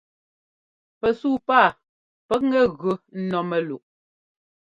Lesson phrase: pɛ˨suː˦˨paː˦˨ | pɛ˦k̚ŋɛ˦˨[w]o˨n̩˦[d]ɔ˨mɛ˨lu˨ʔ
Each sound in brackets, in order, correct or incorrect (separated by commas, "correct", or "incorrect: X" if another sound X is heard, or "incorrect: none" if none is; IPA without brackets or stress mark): incorrect: ɣ, incorrect: n